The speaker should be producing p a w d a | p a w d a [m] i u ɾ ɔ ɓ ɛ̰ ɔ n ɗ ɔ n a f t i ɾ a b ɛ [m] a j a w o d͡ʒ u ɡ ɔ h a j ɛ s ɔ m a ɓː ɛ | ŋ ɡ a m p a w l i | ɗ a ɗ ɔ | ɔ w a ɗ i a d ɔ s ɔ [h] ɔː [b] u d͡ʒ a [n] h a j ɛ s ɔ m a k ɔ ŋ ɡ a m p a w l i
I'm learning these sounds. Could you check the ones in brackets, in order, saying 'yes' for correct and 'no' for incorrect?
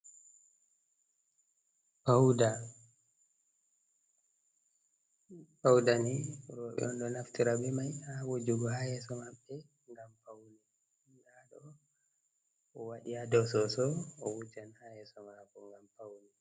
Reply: no, yes, no, no, yes

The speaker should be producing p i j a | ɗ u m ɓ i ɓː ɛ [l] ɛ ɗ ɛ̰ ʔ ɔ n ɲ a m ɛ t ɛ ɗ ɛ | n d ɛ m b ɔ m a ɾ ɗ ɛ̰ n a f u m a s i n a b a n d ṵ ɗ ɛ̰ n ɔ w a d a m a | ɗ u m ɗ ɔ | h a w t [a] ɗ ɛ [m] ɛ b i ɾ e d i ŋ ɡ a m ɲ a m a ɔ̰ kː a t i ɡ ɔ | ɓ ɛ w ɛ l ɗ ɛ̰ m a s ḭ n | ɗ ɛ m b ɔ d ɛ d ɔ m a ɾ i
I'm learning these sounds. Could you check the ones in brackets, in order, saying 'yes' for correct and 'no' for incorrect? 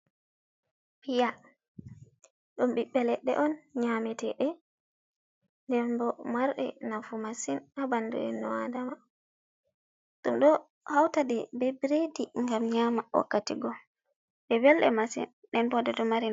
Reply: yes, yes, no

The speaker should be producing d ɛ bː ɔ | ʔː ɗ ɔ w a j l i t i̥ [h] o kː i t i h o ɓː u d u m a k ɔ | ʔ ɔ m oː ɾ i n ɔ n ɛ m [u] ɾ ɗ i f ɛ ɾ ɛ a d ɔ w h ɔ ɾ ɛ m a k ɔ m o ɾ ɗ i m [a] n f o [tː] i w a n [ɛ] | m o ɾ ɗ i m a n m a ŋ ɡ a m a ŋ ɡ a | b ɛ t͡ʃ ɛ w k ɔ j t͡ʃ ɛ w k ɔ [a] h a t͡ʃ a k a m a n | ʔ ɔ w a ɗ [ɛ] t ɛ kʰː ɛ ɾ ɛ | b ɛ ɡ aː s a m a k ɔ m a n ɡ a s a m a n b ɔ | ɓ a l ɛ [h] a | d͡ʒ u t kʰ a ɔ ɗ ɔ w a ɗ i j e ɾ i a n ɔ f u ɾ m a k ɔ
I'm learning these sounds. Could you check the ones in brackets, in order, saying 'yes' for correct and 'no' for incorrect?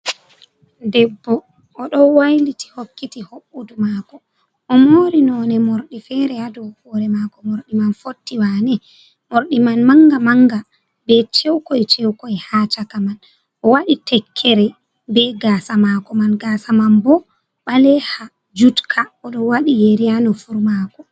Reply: yes, no, yes, yes, yes, no, no, yes

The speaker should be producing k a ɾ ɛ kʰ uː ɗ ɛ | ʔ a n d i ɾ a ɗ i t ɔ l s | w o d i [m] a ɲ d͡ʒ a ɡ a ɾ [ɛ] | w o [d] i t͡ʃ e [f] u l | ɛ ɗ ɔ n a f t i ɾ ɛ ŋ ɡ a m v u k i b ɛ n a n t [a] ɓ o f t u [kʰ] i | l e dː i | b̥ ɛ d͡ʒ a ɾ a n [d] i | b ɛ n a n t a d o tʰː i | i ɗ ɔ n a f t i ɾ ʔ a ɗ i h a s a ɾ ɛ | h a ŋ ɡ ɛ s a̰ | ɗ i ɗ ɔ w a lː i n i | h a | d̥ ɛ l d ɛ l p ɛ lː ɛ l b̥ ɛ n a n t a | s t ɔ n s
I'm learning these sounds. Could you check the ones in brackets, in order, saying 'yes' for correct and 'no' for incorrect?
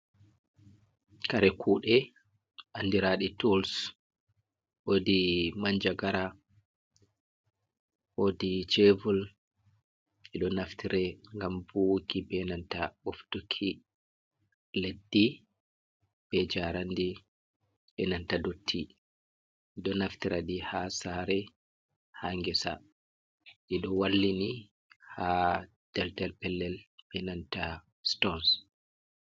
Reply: yes, no, yes, no, yes, yes, yes

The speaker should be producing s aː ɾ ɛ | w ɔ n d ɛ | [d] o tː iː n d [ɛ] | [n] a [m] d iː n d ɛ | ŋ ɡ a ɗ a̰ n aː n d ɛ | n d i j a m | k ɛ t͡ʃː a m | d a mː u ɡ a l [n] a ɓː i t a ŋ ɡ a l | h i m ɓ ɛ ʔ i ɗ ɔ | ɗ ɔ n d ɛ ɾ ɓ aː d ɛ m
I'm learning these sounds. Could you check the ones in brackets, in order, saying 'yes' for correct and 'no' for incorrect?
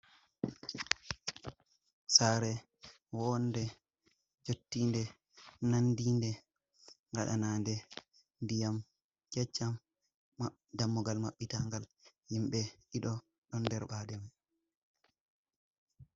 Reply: no, yes, yes, no, no

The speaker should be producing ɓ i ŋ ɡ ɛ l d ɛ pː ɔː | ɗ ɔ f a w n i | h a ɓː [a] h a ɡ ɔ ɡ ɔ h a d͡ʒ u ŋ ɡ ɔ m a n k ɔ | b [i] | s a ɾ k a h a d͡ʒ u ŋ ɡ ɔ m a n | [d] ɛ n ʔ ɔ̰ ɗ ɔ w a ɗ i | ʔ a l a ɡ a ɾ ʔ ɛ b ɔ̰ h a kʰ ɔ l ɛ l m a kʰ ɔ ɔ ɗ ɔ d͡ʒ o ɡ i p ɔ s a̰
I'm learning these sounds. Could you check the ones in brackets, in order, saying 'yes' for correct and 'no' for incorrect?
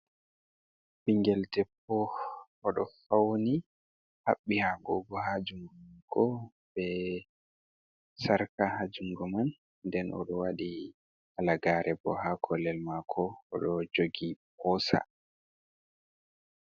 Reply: no, no, yes

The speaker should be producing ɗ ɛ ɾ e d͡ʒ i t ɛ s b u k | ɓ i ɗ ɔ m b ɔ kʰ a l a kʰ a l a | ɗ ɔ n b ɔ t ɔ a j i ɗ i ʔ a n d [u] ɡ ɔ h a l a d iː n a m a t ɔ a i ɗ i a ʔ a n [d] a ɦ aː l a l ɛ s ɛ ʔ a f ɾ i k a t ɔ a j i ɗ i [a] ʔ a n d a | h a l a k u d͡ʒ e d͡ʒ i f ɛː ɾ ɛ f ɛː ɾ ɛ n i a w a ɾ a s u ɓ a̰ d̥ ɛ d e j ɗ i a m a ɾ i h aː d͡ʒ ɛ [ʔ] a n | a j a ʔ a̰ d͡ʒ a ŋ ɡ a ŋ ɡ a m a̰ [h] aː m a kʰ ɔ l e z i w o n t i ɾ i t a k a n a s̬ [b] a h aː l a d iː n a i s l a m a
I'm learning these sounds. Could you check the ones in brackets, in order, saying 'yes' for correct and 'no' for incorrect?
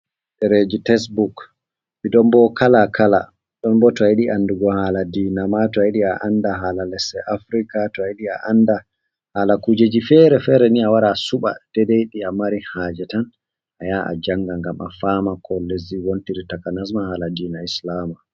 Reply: yes, yes, yes, no, no, no

